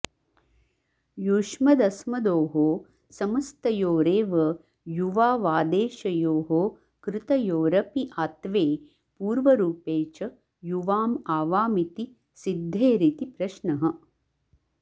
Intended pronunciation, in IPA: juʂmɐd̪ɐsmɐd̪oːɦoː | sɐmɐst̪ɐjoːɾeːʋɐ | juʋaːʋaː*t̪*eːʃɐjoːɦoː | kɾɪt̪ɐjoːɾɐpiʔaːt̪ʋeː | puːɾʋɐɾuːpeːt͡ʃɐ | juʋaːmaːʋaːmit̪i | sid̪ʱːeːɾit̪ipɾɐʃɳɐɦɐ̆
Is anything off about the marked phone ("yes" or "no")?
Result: yes